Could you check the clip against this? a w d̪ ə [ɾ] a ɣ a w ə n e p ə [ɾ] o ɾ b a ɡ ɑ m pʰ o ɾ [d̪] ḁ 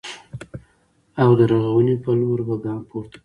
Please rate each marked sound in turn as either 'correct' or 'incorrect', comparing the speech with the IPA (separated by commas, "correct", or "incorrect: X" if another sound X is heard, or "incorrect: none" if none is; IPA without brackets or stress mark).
correct, incorrect: l, incorrect: t̪